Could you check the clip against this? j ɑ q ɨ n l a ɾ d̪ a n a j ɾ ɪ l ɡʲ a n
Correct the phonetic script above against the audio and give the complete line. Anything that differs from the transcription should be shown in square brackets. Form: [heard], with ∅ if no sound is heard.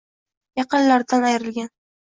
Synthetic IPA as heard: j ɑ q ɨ n l a ɾ d̪ a n a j ɾ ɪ l ɡʲ a n